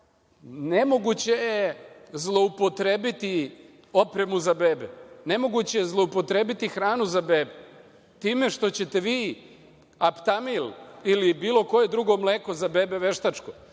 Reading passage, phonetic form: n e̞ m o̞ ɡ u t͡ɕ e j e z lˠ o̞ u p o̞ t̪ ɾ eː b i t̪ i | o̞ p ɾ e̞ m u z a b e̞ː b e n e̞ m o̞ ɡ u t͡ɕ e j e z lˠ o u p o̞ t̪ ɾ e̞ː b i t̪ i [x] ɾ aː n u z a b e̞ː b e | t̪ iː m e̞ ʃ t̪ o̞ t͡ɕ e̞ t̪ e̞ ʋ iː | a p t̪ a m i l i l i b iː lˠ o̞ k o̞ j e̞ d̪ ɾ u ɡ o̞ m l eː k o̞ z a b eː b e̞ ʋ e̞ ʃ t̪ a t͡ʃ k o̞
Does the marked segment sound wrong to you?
no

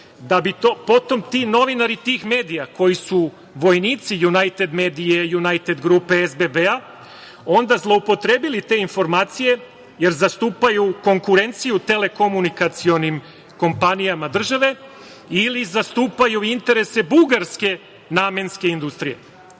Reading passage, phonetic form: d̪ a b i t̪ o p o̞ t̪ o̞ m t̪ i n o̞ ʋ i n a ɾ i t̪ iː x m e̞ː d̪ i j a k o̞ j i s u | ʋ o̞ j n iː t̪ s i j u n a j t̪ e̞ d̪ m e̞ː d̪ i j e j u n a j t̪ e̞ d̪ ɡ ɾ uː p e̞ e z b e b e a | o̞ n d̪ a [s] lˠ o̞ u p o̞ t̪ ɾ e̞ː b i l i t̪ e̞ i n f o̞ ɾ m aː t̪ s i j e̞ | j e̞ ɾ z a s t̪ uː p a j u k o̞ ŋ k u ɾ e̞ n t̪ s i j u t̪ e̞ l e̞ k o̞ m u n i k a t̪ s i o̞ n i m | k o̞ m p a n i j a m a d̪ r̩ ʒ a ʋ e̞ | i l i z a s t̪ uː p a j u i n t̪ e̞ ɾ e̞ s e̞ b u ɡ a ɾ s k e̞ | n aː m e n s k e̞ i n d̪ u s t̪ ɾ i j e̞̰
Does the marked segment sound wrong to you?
yes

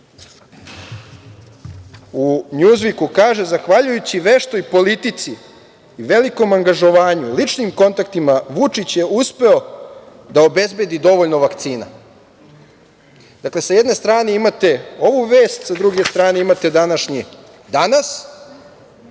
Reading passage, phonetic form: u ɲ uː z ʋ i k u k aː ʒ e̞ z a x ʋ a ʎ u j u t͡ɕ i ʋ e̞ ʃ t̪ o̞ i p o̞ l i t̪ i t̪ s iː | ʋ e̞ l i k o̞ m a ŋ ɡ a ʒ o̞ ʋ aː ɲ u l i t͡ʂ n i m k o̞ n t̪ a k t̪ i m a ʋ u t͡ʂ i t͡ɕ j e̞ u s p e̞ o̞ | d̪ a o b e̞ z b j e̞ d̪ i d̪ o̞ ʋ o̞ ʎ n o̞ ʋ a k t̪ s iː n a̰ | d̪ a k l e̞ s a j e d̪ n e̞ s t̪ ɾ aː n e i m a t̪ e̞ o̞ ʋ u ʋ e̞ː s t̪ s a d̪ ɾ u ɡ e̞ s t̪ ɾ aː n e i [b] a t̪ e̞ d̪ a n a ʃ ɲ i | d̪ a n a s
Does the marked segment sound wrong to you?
yes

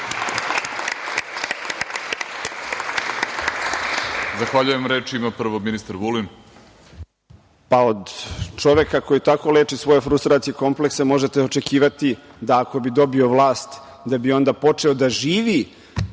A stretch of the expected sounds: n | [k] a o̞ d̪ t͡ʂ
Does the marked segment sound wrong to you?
yes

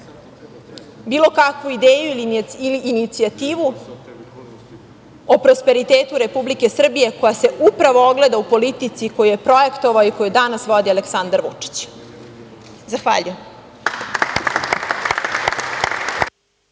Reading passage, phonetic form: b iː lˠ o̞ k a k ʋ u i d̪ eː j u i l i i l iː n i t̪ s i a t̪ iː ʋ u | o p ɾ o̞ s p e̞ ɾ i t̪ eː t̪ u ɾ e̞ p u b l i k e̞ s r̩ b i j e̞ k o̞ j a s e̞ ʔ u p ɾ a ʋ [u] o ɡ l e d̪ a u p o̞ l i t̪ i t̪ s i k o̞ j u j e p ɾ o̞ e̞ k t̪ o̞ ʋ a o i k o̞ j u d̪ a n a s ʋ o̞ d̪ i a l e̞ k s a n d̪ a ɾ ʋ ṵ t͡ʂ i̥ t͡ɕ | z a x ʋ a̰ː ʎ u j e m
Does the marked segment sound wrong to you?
yes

